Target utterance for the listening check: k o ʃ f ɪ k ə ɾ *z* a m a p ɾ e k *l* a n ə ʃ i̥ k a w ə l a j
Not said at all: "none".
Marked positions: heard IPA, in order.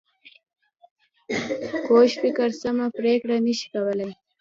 s, ɽ

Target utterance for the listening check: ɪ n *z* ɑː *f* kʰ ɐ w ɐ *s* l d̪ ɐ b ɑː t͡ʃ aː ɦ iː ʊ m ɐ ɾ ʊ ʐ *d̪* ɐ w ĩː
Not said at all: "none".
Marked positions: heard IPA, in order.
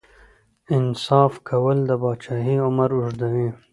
s, f, none, d̪

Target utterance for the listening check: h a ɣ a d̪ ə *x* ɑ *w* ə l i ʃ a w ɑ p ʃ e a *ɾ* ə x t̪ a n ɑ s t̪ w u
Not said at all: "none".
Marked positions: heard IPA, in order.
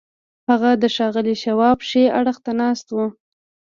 ʃ, ɣ, ɽ

